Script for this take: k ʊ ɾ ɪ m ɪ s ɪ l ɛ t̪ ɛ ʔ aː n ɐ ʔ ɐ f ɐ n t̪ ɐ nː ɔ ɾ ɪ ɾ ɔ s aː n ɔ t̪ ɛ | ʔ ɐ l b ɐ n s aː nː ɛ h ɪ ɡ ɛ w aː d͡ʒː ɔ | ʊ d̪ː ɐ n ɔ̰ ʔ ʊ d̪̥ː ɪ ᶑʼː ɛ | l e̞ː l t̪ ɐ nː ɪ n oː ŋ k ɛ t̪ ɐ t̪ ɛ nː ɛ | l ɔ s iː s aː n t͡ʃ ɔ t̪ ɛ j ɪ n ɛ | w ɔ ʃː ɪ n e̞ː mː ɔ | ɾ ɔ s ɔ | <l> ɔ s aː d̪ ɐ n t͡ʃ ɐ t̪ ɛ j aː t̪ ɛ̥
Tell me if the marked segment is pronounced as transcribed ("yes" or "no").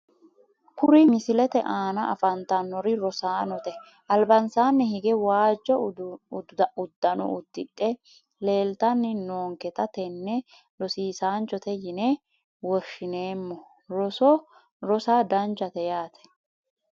no